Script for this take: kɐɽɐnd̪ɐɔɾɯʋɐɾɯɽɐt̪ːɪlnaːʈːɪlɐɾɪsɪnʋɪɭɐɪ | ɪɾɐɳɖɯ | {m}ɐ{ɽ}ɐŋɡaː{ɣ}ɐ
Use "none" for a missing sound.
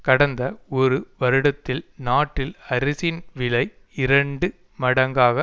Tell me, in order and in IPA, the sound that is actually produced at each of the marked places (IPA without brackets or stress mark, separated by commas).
m, ɽ, ɣ